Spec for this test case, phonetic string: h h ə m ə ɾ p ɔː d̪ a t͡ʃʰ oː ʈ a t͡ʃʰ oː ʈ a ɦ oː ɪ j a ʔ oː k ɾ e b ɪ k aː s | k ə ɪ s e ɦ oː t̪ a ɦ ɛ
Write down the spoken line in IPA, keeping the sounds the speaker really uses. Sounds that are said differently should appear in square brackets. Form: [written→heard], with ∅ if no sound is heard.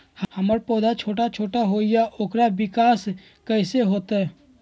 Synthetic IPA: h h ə m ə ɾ p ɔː d̪ a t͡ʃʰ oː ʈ a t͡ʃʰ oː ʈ a ɦ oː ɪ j a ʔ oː k ɾ [e→a] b ɪ k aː s | k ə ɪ s e ɦ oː t̪ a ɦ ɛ